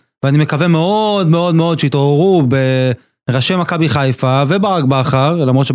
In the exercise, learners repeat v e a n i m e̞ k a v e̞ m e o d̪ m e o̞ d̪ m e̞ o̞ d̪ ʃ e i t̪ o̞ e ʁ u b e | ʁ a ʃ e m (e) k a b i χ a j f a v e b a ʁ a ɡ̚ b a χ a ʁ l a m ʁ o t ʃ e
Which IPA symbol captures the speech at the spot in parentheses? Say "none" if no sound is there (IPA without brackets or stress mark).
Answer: a